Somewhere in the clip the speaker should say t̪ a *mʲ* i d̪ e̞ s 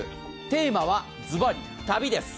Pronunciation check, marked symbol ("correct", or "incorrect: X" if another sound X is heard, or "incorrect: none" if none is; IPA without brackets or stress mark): incorrect: bʲ